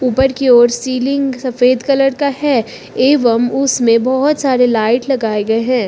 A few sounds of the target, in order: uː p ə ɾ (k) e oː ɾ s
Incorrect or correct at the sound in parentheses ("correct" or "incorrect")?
correct